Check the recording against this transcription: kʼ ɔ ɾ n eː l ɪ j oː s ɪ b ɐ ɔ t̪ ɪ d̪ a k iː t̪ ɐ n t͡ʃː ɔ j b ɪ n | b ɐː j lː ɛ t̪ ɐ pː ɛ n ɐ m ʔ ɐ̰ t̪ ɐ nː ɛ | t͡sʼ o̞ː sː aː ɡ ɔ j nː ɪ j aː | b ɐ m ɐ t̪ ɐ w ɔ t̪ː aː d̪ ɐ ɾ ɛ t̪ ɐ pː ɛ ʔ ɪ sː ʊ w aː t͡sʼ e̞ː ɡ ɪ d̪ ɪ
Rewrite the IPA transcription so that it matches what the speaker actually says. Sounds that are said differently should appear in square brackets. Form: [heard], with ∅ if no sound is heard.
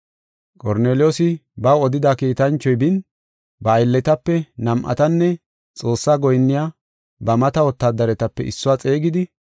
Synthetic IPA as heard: kʼ ɔ ɾ n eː l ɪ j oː s ɪ b ɐ ɔ [d̪] ɪ d̪ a k iː t̪ ɐ n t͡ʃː ɔ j b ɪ n | b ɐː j lː ɛ t̪ ɐ pː ɛ n ɐ m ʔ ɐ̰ t̪ ɐ nː ɛ | t͡sʼ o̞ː sː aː ɡ ɔ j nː ɪ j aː | b ɐ m ɐ t̪ ɐ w ɔ t̪ː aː d̪ ɐ ɾ ɛ t̪ ɐ pː ɛ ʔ ɪ sː ʊ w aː t͡sʼ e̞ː ɡ ɪ d̪ ɪ